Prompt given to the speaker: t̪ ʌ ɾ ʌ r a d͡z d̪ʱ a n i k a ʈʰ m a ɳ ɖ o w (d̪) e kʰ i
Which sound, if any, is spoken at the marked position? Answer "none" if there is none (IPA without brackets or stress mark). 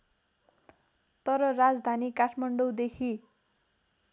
d̪